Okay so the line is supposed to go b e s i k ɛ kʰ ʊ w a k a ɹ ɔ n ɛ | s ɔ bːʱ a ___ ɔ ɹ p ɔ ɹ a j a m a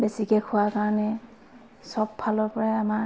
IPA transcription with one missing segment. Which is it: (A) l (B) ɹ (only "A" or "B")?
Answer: A